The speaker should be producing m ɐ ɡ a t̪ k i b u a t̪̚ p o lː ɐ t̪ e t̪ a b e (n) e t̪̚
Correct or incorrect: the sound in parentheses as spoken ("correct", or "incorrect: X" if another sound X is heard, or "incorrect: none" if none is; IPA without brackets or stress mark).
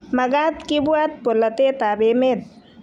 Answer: incorrect: m